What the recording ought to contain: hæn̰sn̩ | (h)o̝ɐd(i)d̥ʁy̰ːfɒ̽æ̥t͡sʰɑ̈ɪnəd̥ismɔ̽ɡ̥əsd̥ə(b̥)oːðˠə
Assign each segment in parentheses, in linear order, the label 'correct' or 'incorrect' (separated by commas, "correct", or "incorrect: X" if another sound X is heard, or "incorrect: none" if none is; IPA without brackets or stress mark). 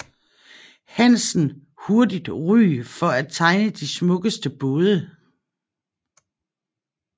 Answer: correct, correct, correct